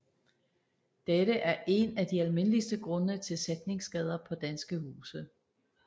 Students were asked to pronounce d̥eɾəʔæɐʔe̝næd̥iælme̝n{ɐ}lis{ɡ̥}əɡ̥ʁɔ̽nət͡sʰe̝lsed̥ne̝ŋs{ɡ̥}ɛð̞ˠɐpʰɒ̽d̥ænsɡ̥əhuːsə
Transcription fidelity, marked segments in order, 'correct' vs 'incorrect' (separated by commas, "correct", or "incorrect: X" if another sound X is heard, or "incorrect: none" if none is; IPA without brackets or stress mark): incorrect: ə, incorrect: d̥, correct